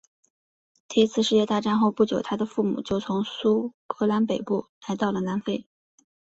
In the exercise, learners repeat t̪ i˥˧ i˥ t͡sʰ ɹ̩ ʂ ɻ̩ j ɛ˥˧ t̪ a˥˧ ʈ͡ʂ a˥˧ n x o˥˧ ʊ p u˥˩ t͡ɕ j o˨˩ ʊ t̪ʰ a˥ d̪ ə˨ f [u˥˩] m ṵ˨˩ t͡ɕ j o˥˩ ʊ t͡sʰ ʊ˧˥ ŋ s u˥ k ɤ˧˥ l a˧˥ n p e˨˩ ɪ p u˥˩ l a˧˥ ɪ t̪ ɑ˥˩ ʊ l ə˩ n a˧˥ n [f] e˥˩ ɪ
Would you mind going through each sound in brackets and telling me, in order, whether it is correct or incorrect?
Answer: correct, correct

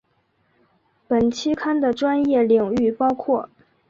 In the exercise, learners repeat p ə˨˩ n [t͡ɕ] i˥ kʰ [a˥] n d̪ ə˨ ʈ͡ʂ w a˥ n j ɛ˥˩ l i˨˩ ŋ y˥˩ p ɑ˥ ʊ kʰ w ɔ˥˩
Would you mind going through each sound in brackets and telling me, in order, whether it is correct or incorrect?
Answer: incorrect: t͡ɕʰ, correct

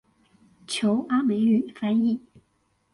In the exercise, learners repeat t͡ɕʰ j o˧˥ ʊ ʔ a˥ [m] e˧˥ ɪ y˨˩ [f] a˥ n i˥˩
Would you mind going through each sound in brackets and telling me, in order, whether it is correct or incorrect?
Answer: correct, correct

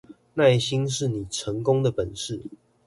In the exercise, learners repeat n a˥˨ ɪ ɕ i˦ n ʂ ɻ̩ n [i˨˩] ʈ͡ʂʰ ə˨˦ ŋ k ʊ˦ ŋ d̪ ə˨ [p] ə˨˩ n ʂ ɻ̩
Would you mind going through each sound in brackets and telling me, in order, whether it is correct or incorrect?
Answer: correct, correct

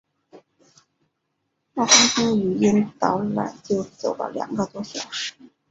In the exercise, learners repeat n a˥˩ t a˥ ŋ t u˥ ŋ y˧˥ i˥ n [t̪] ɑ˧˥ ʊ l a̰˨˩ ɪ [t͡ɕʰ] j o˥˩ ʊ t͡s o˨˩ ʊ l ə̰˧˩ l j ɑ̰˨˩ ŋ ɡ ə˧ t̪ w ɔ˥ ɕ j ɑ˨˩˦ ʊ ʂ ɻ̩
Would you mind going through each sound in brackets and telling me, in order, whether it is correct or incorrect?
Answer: correct, incorrect: t͡ɕ

